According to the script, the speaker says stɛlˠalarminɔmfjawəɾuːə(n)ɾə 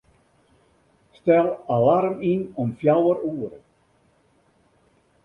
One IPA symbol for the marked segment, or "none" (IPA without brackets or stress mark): none